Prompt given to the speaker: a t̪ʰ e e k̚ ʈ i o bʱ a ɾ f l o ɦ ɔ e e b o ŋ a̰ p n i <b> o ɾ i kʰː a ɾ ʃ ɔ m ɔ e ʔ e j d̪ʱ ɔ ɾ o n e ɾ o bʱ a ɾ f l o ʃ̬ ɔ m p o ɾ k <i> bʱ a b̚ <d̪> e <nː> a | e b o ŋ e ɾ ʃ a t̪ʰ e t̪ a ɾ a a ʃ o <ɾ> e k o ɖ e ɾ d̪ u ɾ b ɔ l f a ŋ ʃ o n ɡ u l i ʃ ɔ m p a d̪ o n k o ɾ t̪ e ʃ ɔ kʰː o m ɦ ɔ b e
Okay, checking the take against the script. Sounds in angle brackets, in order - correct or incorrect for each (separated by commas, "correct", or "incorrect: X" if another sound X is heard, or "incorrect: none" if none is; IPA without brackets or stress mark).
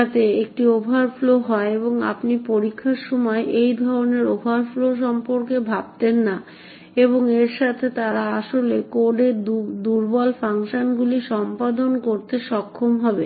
incorrect: p, incorrect: e, incorrect: t̪, correct, incorrect: l